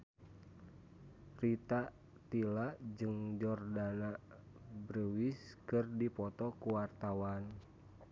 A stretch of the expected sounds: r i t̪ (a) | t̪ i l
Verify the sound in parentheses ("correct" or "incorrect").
correct